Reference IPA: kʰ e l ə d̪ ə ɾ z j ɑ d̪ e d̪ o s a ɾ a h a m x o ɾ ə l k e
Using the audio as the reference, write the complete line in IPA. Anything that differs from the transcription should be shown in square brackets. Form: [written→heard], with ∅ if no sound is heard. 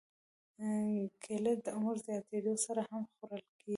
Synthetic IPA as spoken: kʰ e l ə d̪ ə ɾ z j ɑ [d̪→t̪] e d̪ o s a ɾ a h a m x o ɾ ə l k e